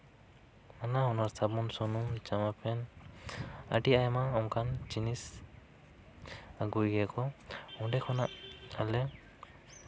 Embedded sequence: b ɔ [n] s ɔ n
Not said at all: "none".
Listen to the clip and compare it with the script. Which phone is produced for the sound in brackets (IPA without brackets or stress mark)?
n